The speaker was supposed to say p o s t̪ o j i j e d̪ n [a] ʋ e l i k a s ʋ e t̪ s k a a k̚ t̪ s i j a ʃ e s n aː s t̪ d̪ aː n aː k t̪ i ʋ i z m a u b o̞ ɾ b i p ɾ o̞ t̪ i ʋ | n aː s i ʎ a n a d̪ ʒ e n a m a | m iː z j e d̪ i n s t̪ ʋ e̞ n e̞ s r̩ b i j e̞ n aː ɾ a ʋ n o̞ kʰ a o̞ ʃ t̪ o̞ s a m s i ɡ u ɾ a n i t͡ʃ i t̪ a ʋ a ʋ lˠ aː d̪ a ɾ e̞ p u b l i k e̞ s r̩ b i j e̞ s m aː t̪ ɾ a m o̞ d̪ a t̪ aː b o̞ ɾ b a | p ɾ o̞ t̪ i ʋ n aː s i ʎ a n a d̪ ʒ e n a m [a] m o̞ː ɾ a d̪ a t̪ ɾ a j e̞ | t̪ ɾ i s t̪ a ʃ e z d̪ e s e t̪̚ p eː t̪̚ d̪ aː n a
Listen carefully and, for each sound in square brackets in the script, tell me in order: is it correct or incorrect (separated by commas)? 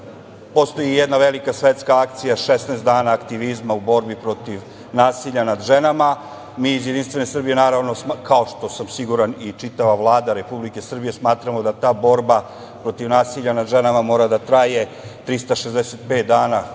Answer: correct, correct